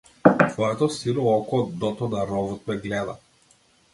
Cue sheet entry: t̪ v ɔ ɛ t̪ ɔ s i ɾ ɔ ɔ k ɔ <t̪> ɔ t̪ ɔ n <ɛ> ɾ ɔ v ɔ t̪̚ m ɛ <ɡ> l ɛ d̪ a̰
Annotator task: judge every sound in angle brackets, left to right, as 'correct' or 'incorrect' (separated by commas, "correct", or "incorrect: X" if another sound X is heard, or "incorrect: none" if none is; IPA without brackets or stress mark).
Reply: incorrect: d̪, incorrect: a, correct